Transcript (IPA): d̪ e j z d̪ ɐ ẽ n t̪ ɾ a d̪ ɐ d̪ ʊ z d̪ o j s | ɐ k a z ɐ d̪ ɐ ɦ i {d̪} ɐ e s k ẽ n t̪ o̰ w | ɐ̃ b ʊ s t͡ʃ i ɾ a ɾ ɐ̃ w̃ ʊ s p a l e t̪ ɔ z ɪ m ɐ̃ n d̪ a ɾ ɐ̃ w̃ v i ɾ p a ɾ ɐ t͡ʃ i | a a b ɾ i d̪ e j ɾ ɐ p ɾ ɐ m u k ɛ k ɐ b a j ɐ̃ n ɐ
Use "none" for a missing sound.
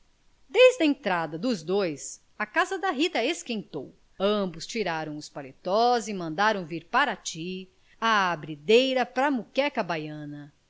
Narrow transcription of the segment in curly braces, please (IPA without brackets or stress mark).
t̪